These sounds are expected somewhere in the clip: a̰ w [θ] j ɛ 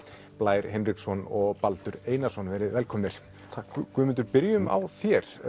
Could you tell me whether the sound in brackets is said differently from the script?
no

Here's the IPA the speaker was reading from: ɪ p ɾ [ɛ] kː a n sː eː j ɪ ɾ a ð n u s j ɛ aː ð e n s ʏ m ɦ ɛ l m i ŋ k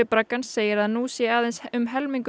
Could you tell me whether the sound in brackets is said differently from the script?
yes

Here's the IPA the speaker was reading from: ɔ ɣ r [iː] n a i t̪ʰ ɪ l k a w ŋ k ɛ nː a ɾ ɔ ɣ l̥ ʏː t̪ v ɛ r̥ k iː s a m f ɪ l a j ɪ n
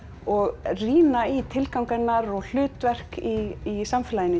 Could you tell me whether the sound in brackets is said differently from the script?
no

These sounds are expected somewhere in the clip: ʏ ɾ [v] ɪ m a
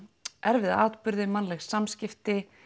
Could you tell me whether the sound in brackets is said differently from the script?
yes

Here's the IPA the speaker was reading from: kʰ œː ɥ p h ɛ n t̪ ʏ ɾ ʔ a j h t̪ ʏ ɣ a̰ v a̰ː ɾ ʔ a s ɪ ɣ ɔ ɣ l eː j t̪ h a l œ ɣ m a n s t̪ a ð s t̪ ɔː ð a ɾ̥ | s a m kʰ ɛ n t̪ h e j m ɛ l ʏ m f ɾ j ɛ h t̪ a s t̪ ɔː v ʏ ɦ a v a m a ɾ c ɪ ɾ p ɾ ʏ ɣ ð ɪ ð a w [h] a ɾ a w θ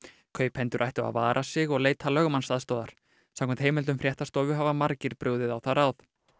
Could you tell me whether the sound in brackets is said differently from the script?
yes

